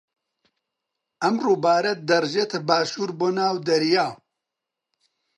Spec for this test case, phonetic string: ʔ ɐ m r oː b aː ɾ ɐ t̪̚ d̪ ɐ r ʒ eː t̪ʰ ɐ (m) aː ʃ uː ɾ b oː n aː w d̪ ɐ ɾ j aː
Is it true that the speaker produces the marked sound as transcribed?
no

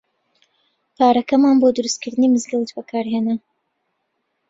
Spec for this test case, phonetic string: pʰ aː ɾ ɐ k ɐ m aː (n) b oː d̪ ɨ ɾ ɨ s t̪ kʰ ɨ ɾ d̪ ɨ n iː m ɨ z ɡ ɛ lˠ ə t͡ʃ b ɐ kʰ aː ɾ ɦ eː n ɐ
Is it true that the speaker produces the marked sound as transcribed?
yes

